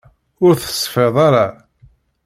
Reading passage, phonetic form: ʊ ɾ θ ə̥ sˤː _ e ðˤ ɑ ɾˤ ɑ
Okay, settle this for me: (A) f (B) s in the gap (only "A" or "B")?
A